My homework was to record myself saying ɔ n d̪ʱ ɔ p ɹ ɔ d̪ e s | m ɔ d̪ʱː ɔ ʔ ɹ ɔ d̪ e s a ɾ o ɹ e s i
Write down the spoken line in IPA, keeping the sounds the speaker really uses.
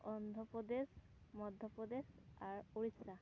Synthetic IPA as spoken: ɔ n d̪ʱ ɔ p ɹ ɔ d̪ e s | m ɔ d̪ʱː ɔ p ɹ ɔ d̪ e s a ɹ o ɹ i s a